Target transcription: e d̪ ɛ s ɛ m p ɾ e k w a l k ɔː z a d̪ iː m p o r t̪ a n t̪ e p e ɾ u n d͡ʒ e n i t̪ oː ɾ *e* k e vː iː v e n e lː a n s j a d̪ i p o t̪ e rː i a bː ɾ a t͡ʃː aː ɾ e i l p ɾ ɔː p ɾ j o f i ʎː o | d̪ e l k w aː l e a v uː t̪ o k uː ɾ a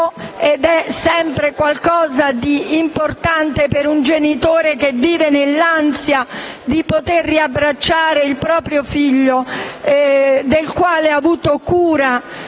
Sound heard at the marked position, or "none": e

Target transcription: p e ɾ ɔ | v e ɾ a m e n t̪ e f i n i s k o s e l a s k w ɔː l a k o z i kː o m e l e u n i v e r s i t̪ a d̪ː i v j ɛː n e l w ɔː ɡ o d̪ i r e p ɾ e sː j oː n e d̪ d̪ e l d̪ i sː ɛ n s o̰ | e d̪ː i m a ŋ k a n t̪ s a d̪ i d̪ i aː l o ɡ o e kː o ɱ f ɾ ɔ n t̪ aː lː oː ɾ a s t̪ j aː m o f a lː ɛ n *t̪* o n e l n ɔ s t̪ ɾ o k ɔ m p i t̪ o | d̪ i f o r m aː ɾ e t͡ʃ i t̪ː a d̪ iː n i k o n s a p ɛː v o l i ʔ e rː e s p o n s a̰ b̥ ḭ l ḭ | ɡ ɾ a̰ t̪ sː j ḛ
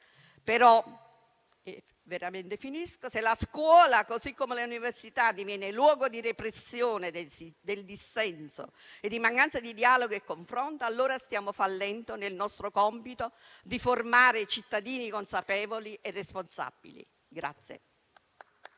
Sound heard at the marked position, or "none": t̪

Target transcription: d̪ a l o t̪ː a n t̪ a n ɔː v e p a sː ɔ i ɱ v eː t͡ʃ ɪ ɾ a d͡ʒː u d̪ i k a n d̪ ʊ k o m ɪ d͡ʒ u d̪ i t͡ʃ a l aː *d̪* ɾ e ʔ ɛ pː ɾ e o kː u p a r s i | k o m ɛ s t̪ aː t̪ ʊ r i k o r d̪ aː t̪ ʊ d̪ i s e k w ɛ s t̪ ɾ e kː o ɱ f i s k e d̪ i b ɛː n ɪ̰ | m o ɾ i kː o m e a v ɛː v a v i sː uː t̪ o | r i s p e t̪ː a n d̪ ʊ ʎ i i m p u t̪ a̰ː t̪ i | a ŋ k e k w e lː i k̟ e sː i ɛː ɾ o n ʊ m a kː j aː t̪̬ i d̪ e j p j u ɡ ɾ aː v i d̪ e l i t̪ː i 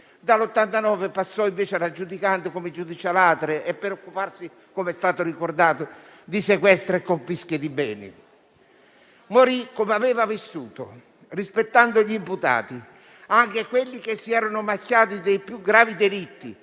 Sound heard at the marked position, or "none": t̪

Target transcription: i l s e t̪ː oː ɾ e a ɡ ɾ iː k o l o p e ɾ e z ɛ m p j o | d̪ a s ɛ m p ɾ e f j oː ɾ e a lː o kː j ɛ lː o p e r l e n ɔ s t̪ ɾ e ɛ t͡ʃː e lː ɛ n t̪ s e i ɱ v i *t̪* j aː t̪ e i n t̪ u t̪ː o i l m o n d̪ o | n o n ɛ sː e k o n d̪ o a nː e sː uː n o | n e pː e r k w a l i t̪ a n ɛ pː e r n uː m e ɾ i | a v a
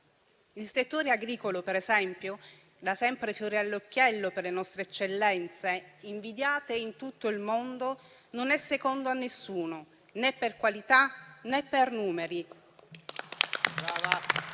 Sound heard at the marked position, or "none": d̪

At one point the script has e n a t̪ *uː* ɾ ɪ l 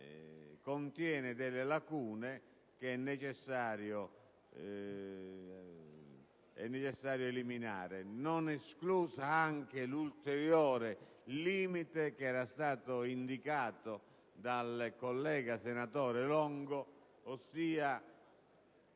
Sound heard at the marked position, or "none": ɔː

